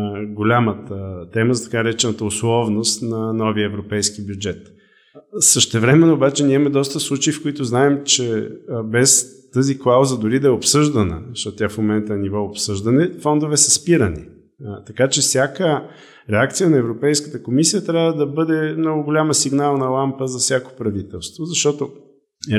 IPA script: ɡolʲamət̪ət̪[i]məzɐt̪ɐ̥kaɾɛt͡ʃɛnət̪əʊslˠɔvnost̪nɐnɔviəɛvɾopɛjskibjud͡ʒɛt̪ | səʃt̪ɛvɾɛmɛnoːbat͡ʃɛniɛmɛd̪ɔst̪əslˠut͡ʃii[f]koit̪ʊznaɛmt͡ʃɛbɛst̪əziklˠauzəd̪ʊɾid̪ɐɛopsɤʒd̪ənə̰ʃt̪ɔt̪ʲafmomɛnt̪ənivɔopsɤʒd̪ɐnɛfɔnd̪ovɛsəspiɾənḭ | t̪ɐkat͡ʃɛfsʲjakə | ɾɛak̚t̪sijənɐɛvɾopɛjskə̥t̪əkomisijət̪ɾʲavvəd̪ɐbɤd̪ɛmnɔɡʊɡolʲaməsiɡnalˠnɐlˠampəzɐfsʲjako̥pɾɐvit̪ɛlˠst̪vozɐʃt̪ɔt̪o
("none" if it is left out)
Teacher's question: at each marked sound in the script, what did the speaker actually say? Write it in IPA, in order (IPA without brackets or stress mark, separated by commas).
ɛ, f